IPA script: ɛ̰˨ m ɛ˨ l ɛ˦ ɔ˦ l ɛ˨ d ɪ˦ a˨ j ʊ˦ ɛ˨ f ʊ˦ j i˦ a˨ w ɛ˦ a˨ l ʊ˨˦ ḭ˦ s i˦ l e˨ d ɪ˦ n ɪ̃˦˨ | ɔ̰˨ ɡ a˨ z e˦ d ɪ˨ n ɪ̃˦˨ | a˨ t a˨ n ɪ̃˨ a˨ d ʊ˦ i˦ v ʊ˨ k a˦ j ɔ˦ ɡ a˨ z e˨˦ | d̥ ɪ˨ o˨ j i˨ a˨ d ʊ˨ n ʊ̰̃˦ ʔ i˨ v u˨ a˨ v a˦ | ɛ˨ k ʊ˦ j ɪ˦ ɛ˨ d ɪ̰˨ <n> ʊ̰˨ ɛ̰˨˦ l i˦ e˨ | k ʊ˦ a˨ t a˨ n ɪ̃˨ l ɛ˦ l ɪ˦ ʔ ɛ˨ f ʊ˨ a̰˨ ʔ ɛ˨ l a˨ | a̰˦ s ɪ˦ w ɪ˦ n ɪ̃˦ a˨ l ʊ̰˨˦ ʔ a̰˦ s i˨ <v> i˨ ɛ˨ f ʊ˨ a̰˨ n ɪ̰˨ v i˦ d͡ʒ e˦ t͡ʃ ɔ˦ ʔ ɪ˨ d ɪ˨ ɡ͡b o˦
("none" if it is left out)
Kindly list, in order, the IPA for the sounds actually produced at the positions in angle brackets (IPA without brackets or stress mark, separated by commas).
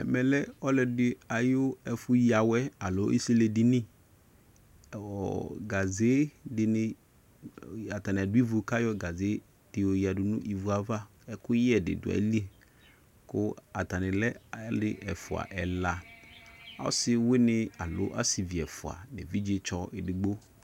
d, v